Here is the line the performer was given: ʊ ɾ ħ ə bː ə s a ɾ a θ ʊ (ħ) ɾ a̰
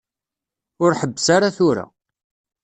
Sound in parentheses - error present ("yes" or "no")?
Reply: yes